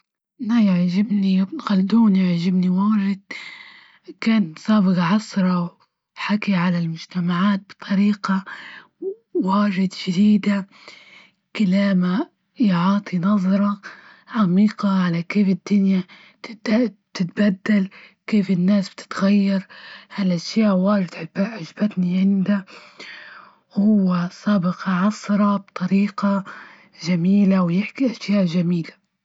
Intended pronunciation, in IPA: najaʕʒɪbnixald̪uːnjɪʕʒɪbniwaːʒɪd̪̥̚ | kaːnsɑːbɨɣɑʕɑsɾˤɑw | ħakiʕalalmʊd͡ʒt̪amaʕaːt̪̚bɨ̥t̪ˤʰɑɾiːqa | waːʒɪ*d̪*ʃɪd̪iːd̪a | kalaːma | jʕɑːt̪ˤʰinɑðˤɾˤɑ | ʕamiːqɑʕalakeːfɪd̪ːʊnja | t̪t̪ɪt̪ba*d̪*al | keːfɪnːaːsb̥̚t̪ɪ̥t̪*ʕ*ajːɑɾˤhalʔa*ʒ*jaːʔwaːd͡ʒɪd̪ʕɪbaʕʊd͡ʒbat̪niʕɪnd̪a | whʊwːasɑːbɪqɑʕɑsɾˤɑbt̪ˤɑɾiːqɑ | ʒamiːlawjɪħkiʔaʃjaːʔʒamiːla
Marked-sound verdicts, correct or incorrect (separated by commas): correct, incorrect, incorrect, incorrect